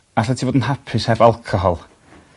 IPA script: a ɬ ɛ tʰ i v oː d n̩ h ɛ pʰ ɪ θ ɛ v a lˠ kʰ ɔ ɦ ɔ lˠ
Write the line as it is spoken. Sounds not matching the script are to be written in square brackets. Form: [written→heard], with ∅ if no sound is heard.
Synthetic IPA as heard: a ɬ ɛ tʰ i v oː d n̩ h [ɛ→a] pʰ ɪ [θ→s] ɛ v a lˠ kʰ ɔ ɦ ɔ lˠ